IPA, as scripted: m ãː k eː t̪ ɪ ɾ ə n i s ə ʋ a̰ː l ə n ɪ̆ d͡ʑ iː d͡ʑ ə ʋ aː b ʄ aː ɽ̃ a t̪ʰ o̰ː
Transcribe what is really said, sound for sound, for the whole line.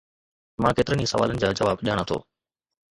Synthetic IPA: m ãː k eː t̪ ɪ ɾ ə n i s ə ʋ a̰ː l ə n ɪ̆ d͡ʑ aː d͡ʑ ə ʋ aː b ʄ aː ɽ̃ a t̪ʰ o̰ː